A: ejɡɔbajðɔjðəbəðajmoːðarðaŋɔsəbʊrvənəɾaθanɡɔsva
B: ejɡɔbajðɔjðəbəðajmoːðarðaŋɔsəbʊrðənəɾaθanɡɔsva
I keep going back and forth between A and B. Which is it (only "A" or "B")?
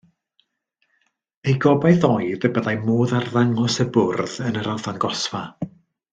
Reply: B